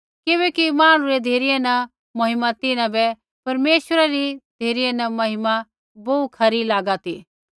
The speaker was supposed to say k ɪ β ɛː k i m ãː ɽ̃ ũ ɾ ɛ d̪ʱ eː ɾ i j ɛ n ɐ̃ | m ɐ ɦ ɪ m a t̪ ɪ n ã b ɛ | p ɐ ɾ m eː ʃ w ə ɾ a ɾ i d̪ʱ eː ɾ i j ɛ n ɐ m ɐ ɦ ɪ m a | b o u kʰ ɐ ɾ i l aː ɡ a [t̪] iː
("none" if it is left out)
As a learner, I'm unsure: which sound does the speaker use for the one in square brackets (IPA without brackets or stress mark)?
t̪